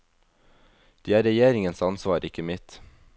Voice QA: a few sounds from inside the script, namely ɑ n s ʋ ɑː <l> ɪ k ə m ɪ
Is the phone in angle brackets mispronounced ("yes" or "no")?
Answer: yes